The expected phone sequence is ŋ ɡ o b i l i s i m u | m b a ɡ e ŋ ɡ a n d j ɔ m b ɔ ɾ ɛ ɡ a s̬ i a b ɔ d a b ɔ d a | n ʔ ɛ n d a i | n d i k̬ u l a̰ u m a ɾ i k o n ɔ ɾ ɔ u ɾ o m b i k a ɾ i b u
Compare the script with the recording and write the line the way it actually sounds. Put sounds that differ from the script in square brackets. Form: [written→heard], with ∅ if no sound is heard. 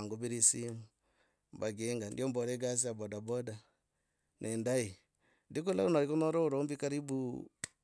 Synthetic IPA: ŋ ɡ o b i [l→ɾ] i s i m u | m b a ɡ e ŋ ɡ a n d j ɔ m b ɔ ɾ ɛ ɡ a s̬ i a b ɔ d a b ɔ d a | n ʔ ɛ n d a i | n d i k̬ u l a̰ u [m→n] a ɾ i k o n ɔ ɾ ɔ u ɾ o m b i k a ɾ i b u

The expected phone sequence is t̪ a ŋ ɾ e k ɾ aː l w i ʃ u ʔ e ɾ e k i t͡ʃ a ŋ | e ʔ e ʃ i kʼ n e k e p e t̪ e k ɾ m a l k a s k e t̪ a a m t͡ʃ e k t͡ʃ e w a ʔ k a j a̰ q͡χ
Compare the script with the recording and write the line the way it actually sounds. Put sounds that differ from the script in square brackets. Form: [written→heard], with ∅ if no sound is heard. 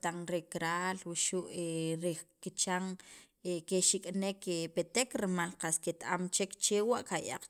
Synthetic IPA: t̪ a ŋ ɾ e k ɾ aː l w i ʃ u ʔ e ɾ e k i t͡ʃ a ŋ | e [ʔ→k] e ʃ i kʼ n e k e p e t̪ e k ɾ m a l [k→q] a s k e t̪ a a m t͡ʃ e k t͡ʃ e w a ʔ k a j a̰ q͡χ

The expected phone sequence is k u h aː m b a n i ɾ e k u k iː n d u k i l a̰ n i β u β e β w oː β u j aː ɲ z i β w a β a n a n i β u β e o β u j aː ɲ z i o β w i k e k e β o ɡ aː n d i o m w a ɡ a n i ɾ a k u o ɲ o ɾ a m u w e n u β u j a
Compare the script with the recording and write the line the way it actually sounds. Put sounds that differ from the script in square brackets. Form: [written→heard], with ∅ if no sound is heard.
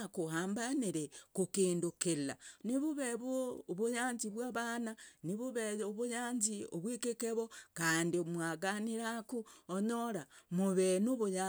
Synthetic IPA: k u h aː m b a n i ɾ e k u k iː n d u k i l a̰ n i β u β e β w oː β u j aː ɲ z i β w a β a n a n i β u β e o β u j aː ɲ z i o β w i k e k e β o [ɡ→k] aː n d i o m w a ɡ a n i ɾ a k u o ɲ o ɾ a m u [w→β] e n u β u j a

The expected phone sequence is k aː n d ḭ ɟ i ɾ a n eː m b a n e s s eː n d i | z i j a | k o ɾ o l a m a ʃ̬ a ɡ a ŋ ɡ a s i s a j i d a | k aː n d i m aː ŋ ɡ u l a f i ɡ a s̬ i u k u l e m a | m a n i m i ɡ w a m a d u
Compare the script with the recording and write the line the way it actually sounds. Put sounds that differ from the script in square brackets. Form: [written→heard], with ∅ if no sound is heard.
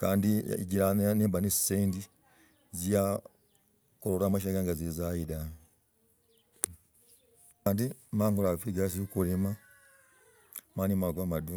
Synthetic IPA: k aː n d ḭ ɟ i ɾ a n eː m b a n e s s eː n d i | z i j a | k o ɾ o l a m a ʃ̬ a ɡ a ŋ ɡ a [s→z] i [s→z] a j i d a | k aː n d i m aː ŋ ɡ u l a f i ɡ a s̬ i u k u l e m a | m a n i m [i→a] ɡ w a m a d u

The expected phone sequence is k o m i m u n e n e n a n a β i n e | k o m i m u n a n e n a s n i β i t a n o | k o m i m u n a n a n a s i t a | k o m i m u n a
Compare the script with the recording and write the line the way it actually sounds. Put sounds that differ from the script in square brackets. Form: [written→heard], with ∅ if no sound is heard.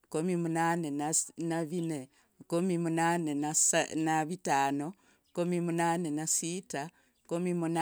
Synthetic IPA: k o m i m u n [e→a] n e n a n a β i n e | k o m i m u n a n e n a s n [i→a] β i t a n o | k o m i m u n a n [a→e] n a s i t a | k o m i m u n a

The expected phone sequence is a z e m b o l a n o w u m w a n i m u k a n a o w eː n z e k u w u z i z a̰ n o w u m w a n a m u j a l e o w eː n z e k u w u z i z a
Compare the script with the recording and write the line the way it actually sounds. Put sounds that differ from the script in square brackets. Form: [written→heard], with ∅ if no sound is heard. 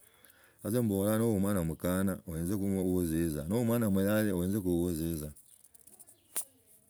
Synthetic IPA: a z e m b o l a n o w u m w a n [i→a] m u k a n a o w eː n z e k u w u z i z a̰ n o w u m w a n a m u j a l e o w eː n z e k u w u z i z a

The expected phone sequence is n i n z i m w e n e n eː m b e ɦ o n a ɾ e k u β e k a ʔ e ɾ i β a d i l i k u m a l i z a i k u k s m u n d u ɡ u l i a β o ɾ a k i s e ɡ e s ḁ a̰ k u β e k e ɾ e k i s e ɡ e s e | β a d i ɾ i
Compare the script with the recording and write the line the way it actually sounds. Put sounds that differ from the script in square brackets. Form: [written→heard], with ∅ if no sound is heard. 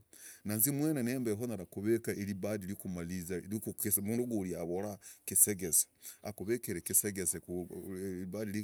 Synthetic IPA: n [i→a] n z i m w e n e n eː m b e ɦ o n a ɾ [e→a] k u β e k a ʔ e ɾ i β a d i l i k u m a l i z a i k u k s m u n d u ɡ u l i a β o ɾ a k i s e ɡ e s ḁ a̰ k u β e k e ɾ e k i s e ɡ e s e | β a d i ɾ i

